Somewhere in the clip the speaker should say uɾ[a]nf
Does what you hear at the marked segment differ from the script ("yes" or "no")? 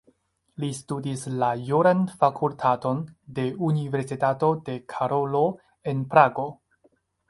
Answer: no